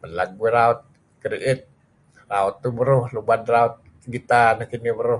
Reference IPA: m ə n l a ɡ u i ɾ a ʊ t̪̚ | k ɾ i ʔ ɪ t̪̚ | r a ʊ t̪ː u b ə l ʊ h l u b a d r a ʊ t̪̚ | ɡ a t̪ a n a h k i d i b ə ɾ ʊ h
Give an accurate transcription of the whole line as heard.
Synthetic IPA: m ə n l a ɡ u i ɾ a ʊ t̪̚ | k ɾ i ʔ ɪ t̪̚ | r a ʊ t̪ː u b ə ɾ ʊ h l u b a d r a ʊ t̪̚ | ɡ i t̪ a n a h k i n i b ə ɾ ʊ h